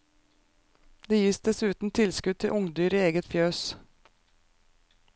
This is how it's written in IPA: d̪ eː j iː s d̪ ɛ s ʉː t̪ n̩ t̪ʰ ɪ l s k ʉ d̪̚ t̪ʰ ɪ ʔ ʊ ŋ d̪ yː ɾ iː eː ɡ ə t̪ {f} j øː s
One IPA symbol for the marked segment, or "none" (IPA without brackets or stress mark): f